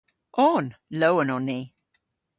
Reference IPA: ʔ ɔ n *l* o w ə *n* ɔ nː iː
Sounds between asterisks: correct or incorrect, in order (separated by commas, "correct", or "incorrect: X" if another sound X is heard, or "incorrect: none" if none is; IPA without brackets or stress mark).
correct, correct